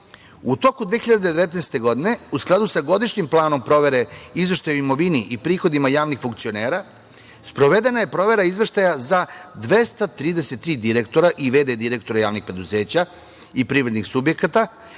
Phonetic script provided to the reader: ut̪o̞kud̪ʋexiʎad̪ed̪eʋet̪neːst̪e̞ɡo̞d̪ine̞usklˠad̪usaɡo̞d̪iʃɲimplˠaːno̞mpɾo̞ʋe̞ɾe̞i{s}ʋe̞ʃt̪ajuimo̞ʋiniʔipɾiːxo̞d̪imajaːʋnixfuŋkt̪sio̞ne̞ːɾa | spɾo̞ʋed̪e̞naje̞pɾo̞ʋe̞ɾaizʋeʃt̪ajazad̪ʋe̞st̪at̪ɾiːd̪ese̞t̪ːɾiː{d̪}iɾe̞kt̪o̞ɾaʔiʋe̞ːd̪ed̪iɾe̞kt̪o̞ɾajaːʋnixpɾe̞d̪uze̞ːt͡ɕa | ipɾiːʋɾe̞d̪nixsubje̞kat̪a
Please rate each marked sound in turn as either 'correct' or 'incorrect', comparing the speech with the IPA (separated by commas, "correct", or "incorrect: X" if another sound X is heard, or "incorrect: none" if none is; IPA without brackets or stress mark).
incorrect: z, correct